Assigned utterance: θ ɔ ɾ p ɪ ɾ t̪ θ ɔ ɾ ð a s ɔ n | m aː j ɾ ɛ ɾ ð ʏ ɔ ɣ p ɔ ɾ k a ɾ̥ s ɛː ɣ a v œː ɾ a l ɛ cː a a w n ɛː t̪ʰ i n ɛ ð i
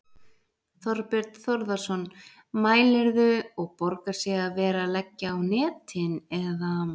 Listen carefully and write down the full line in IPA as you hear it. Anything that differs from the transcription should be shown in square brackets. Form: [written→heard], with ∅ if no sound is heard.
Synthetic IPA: θ ɔ ɾ p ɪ ɾ t̪ θ ɔ ɾ ð a s ɔ n | m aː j [ɾ→l] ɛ ɾ ð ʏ ɔ ɣ p ɔ ɾ k a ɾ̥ s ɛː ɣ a v [œː→ɛː] ɾ a l ɛ cː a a w n ɛː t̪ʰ [i→ɪ] n ɛ ð [i→a]